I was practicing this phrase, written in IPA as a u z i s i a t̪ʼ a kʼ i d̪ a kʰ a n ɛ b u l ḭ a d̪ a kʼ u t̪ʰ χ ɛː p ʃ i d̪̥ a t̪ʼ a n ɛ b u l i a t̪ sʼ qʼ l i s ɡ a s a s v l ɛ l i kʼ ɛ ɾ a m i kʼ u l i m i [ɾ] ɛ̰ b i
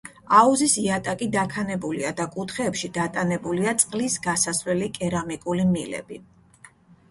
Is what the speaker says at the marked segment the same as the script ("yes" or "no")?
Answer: no